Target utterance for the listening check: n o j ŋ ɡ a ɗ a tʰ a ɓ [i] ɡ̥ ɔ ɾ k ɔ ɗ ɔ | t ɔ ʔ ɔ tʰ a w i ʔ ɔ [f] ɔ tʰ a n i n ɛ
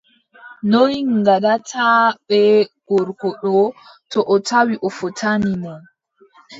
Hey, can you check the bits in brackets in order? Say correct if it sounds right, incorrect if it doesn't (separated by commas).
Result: incorrect, correct